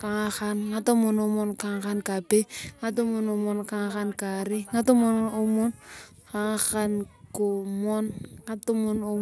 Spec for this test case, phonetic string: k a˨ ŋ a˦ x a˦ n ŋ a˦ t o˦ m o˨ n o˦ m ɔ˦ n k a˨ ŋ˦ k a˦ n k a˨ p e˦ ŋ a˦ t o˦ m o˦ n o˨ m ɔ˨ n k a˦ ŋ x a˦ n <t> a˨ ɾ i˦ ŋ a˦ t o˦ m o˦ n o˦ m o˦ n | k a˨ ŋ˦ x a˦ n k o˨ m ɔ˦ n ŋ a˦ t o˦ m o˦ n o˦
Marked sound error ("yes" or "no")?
yes